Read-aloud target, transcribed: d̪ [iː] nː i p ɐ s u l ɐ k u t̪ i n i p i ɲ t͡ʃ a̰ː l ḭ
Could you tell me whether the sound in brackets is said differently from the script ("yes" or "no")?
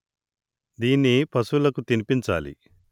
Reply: no